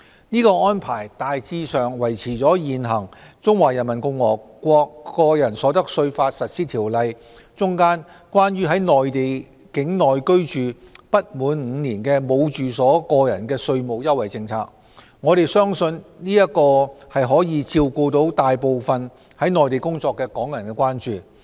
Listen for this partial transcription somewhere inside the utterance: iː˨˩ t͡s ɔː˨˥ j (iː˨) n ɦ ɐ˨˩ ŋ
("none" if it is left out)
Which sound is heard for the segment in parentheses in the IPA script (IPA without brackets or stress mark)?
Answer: iː˨